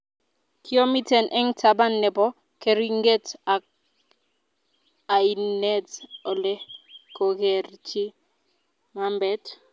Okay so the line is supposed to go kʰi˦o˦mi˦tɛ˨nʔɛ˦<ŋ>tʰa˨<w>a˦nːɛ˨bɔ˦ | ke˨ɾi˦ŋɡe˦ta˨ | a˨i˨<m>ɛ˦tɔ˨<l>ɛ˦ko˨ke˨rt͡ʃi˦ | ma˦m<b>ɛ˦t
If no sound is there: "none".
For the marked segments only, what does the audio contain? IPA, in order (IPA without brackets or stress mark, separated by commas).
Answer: ŋ, b, n, l, b